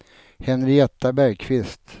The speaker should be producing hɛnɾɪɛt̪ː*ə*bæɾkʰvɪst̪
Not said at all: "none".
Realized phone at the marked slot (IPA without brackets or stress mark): a